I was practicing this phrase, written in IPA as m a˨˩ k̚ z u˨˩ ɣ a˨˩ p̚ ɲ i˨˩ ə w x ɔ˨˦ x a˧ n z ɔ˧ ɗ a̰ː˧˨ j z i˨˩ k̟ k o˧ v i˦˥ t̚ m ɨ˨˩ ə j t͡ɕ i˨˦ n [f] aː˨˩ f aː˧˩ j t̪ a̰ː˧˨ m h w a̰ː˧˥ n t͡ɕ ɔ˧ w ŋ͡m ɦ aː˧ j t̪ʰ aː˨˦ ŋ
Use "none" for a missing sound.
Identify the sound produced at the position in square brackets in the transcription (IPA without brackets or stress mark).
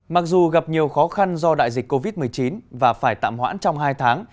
v